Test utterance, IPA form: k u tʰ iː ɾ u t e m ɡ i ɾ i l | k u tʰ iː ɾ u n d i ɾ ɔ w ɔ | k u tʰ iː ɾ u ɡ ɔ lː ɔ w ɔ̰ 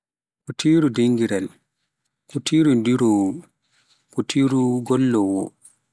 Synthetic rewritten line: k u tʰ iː ɾ u d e ŋ ɡ i ɾ ɛ l | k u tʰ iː ɾ u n d i ɾ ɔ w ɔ | k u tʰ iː ɾ u ɡ ɔ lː ɔ w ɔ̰